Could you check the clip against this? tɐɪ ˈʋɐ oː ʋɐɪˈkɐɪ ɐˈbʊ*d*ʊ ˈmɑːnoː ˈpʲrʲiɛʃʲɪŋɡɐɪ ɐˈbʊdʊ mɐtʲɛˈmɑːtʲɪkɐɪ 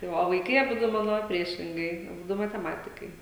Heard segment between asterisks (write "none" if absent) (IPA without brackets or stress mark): d